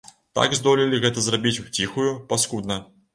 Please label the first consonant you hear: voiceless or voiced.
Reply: voiceless